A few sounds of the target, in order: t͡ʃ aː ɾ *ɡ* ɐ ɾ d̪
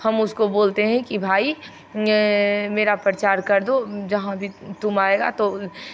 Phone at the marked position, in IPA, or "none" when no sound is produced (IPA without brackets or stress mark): k